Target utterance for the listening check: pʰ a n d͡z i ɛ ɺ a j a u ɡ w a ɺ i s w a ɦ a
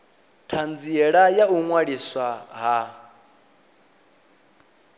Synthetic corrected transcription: tʰ a n d͡z i ɛ ɺ a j a u ŋ w a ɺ i s w a ɦ a